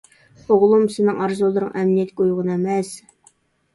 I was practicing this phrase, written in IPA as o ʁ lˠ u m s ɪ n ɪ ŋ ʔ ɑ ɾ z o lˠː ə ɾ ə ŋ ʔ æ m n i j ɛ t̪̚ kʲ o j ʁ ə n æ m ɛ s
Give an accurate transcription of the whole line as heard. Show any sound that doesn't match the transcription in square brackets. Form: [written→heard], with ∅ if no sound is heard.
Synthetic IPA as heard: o ʁ lˠ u m s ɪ n ɪ ŋ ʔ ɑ ɾ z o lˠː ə ɾ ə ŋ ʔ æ m n i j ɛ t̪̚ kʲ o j ʁ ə n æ m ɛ s